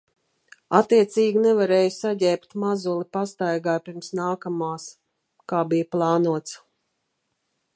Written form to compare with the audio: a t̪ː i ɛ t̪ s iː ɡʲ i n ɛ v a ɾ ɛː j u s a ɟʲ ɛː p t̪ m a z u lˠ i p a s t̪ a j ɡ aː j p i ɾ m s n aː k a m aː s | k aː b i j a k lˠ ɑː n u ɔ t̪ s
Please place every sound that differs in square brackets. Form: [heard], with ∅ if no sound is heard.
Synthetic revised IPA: a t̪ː i ɛ t̪ s iː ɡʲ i n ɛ v a ɾ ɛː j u s a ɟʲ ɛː p t̪ m a z u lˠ i p a s t̪ a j ɡ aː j p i ɾ m s n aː k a m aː s | k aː b i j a [p] lˠ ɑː n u ɔ t̪ s